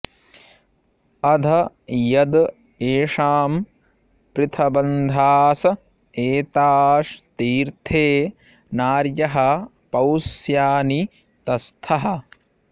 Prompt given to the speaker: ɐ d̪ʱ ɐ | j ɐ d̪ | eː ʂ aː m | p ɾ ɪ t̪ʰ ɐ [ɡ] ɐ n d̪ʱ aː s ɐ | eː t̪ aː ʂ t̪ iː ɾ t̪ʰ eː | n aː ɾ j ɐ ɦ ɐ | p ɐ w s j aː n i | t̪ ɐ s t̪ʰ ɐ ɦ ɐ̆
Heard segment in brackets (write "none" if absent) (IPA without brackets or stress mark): b